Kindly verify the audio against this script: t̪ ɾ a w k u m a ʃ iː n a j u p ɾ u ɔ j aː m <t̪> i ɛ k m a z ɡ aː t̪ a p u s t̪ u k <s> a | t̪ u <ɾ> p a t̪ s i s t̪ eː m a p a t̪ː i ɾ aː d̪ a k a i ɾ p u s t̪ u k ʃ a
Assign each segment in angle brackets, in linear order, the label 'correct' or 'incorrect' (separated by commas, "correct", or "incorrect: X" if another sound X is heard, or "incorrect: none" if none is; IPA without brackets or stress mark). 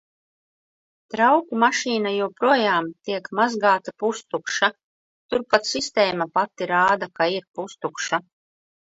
correct, incorrect: ʃ, correct